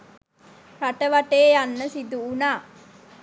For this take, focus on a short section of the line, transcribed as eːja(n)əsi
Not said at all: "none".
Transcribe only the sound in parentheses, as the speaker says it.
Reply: nː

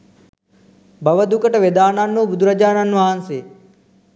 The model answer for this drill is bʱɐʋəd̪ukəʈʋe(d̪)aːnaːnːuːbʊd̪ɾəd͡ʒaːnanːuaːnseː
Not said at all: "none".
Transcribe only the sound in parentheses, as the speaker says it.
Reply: d̪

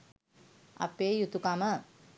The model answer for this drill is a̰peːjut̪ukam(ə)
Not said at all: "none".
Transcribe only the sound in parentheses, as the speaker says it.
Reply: ə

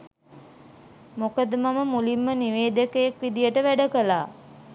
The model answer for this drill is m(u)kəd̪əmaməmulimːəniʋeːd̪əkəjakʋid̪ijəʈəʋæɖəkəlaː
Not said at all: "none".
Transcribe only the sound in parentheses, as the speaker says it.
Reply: o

